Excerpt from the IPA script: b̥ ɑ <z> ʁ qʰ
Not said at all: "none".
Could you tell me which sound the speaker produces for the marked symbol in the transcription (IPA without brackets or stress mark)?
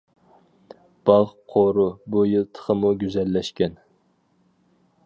none